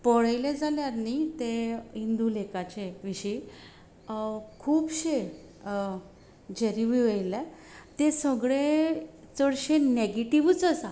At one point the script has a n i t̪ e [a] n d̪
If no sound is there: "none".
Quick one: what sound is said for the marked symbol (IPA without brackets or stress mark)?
i